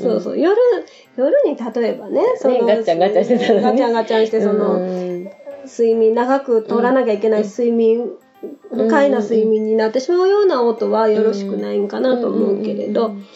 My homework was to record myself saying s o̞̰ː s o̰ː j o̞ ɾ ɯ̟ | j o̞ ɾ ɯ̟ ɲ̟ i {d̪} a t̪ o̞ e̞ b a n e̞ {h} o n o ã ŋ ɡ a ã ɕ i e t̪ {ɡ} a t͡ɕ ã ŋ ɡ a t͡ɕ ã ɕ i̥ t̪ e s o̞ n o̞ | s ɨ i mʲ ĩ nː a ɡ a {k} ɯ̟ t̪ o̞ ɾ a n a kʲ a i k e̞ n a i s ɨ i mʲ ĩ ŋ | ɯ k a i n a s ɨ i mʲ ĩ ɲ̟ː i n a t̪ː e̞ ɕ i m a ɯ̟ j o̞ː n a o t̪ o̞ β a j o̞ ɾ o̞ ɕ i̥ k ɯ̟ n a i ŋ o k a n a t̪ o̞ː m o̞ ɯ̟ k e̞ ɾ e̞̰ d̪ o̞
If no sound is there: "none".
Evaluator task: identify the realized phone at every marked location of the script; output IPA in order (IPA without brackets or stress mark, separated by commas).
t̪, s, ɡ, k